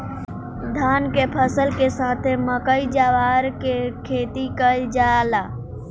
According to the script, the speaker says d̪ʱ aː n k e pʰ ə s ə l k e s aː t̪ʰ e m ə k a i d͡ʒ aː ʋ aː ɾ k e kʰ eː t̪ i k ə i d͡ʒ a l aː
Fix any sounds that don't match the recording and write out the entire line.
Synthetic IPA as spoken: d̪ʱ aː n k e pʰ ə s ə l k e s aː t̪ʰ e m ə k ə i d͡ʒ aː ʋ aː ɾ k e kʰ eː t̪ i k ə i d͡ʒ a l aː